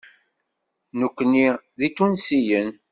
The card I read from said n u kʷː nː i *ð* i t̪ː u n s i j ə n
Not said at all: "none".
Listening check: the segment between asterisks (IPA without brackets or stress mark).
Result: ð